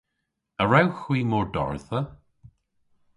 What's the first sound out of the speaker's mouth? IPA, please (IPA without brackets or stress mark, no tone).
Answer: ə